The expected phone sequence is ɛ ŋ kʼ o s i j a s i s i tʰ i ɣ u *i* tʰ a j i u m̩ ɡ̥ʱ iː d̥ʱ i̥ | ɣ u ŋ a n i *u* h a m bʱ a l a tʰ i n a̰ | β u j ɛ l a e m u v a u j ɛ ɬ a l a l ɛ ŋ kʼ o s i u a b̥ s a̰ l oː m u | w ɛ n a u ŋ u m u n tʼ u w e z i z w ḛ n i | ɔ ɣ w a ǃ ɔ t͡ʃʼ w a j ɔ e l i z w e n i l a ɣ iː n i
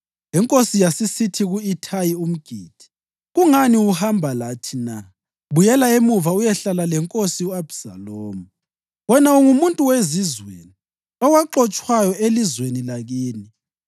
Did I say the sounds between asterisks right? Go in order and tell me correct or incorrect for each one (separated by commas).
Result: correct, correct